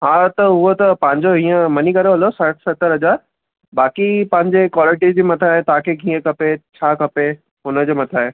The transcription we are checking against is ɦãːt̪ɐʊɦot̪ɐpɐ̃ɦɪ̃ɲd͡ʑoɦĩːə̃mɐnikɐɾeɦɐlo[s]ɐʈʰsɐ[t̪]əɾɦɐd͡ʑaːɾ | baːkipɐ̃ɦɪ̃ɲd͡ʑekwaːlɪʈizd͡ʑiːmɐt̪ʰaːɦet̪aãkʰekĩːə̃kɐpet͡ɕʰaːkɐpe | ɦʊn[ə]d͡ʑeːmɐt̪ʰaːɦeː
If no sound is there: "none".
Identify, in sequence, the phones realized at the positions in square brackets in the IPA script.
s, t̪, ə

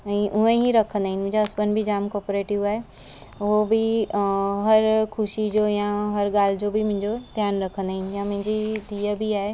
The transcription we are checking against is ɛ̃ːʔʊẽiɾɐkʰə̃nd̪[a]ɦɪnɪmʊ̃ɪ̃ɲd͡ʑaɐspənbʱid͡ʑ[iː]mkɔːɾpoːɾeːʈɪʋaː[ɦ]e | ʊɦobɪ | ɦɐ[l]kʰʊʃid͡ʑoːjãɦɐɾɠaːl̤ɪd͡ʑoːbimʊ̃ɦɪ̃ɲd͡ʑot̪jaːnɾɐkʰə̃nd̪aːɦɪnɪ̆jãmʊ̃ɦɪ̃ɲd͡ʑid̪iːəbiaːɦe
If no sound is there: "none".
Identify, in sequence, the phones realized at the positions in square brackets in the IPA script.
a, aː, ɦ, ɾ

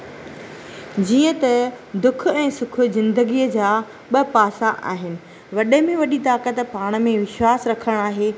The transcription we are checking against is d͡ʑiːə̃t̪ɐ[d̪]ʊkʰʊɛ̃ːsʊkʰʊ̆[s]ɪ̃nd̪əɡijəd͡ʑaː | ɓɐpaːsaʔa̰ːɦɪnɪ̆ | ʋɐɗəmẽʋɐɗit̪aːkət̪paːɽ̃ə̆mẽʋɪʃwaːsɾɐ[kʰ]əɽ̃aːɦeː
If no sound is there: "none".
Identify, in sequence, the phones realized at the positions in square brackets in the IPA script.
d̪, z, kʰ

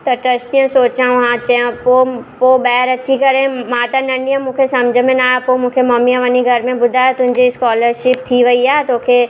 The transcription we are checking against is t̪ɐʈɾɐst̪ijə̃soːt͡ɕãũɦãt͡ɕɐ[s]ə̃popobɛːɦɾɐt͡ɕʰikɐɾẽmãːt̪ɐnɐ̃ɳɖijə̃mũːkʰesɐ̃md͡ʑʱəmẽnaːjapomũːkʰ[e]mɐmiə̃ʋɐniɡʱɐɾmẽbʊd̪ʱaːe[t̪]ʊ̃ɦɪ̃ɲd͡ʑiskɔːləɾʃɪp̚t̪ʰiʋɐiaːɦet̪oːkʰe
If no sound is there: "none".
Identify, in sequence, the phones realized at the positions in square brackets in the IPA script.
none, e, t̪

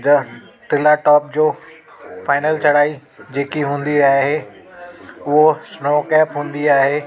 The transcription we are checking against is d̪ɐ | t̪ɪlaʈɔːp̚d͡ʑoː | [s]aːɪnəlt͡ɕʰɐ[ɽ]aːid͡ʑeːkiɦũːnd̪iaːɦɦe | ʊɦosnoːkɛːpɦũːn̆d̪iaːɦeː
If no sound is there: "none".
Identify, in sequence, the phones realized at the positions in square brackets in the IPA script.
f, ɽ

